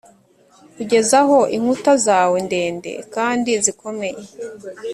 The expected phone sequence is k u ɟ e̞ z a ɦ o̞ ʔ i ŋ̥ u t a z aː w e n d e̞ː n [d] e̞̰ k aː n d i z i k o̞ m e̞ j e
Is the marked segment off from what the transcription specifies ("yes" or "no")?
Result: no